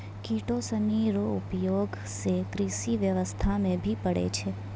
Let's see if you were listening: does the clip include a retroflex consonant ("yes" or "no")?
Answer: yes